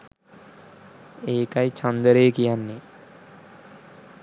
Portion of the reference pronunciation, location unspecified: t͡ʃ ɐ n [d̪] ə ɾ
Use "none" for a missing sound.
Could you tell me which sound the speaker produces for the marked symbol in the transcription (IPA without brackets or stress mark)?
d̪